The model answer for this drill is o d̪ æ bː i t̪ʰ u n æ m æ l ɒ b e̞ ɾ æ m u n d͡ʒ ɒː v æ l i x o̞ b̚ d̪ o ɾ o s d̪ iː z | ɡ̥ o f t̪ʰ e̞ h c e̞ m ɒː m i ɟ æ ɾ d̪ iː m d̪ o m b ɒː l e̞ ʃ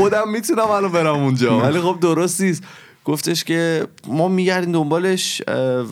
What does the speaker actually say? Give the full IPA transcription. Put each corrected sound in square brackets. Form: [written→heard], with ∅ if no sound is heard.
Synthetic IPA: o d̪ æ [bː→mː] i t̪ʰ u n æ m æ l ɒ b e̞ ɾ æ m u n d͡ʒ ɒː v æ l i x o̞ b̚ d̪ o ɾ o s [d̪→t̪] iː [z→s] | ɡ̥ o f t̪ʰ e̞ [h→ʃ] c e̞ m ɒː m i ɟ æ ɾ d̪ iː m d̪ o m b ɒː l e̞ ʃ